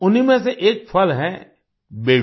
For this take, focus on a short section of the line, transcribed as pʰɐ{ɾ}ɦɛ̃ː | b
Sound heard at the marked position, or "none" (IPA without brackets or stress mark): l